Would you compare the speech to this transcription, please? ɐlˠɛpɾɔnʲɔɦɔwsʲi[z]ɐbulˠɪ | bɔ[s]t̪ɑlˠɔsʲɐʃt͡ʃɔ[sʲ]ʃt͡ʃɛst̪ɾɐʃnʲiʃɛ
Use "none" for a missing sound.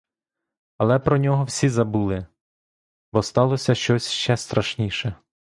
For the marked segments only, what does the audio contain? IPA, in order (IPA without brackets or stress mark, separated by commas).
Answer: z, s, sʲ